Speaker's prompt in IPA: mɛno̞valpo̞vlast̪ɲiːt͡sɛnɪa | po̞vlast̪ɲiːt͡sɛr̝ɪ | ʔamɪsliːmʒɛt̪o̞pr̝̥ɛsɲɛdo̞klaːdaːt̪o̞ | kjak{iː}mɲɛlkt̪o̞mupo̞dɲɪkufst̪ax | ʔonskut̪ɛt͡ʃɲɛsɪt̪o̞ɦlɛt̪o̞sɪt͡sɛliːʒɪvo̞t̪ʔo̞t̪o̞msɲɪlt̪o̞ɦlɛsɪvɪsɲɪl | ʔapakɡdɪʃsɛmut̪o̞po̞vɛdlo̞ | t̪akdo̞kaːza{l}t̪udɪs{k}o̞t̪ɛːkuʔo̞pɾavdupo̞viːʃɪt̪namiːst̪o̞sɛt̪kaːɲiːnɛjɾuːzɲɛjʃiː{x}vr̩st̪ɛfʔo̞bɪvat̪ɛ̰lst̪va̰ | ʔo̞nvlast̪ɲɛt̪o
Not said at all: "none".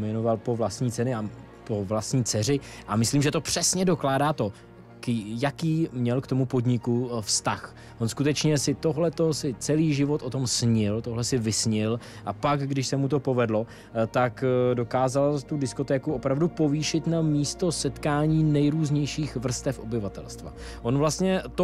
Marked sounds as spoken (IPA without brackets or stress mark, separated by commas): iː, l, k, x